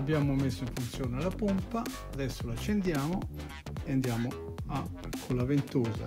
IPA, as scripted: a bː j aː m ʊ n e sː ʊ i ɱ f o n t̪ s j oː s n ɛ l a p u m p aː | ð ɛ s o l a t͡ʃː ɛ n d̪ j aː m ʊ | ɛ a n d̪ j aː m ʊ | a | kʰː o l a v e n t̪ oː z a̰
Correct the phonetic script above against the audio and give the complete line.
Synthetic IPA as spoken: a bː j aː m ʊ m e sː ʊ i ɱ f u n t̪ s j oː n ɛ l a p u m p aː | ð ɛ sː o l a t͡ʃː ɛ n d̪ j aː m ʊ | ɛ a n d̪ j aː m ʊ | a | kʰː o l a v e n t̪ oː z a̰